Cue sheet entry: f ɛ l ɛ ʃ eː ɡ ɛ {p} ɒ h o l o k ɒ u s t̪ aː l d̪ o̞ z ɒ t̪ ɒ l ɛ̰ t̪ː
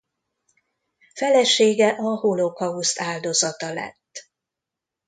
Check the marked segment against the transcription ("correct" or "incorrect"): incorrect